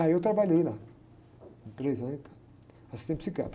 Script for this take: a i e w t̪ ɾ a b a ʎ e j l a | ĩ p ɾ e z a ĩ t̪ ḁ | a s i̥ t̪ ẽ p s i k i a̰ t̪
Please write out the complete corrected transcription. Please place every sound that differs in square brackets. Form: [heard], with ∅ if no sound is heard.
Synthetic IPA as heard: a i e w t̪ ɾ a b a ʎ e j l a | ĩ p ɾ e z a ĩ t̪ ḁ | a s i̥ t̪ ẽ p s i k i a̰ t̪